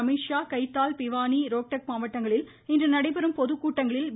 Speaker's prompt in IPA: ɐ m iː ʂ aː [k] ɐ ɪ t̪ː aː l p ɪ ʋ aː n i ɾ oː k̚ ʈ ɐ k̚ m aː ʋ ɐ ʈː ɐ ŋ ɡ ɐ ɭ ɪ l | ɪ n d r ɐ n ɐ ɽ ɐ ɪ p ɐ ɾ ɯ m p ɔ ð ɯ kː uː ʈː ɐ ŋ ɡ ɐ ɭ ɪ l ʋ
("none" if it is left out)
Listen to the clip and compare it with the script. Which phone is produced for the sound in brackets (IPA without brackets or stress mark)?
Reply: k